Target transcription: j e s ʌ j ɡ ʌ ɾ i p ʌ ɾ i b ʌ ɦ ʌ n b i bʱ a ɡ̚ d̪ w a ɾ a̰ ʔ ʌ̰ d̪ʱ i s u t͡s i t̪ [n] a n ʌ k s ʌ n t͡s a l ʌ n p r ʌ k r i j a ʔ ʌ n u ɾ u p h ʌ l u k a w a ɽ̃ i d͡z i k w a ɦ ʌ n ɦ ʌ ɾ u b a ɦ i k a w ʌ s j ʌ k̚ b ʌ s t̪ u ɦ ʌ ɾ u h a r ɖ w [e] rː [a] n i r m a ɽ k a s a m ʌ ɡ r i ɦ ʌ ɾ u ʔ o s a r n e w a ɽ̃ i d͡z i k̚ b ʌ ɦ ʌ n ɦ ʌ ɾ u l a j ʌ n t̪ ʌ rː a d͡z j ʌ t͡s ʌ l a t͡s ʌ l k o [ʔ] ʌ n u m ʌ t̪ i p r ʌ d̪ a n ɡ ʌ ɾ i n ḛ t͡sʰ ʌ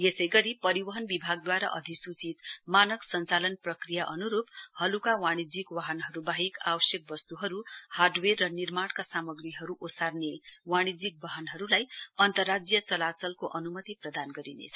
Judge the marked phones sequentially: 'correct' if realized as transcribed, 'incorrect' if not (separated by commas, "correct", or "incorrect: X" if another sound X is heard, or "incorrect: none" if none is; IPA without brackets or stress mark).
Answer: incorrect: m, correct, incorrect: ʌ, correct